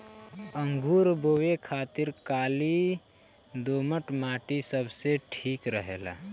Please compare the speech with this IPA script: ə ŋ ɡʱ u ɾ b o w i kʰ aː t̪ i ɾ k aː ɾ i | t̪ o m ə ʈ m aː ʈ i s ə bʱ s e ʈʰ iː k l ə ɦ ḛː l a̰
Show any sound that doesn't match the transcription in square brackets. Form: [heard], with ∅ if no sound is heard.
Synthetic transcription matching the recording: ə ŋ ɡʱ u ɾ b o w [e] kʰ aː t̪ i ɾ k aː [l] i | [d̪] o m ə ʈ m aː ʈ i s ə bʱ s e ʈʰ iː k [ɾ] ə ɦ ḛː l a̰